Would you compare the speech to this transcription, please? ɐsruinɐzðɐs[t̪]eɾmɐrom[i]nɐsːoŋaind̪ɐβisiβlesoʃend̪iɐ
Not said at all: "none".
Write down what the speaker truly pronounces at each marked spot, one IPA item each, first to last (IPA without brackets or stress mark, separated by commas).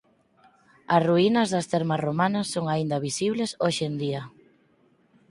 t̪, a